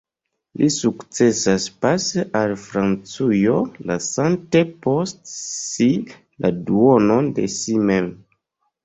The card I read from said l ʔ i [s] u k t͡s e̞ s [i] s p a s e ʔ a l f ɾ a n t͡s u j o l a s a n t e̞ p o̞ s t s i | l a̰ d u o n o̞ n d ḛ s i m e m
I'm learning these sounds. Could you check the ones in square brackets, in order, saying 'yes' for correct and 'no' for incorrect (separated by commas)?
yes, no